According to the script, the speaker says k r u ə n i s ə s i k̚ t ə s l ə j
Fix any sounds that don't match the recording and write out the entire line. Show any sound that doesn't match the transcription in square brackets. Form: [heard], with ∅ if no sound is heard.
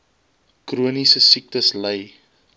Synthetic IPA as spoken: k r u ə n i s ə s i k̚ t ə s l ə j

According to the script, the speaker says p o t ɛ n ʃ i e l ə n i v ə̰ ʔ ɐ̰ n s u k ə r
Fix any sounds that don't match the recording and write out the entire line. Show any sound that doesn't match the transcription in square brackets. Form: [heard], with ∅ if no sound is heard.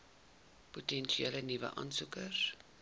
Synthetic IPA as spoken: p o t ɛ n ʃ i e l ə n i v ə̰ ʔ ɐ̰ n s u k ə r

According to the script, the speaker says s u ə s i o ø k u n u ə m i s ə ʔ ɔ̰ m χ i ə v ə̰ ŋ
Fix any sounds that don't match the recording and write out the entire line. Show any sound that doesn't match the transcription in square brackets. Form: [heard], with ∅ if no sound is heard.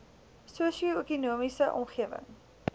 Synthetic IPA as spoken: s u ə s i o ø k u n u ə m i s ə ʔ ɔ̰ m χ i ə v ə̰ ŋ

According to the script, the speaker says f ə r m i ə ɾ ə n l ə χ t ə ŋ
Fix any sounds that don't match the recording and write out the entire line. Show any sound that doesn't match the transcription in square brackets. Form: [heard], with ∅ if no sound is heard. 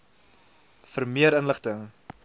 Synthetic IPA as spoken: f ə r m i ə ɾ ə n l ə χ t ə ŋ

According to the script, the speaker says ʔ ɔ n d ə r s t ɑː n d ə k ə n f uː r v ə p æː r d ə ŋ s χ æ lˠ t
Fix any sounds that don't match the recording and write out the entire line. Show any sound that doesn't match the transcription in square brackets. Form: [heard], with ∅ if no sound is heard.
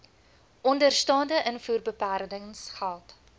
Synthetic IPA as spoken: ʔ ɔ n d ə r s t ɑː n d ə [ʔ] ə n f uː r [b] ə p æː r d ə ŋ s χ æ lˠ t

